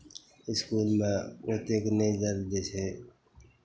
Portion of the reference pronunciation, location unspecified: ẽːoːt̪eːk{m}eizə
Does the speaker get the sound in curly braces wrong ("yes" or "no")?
yes